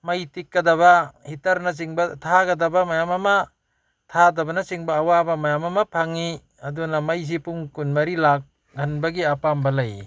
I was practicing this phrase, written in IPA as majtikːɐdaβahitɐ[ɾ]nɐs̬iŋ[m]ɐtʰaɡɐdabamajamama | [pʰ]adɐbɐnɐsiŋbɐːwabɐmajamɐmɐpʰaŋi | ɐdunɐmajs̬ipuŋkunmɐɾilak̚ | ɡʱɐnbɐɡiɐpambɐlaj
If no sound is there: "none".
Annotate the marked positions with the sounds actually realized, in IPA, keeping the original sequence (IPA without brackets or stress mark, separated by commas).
ɾ, b, tʰ